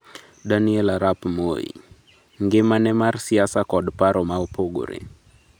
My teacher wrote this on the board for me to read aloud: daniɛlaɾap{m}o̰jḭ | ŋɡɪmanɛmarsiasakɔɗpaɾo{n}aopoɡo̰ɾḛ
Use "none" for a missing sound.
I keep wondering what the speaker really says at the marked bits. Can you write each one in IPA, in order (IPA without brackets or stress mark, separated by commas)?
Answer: m, m